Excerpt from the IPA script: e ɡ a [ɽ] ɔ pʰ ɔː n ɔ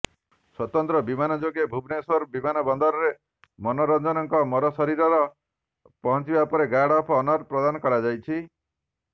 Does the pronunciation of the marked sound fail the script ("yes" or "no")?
no